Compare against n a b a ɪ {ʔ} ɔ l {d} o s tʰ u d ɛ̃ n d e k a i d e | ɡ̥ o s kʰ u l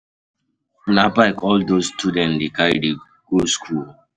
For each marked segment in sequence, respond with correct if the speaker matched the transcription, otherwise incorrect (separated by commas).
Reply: incorrect, correct